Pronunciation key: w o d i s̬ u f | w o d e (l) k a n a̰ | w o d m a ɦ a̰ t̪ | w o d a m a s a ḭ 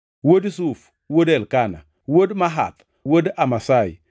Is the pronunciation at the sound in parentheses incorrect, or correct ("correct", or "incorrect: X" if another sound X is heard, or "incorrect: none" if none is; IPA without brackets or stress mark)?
correct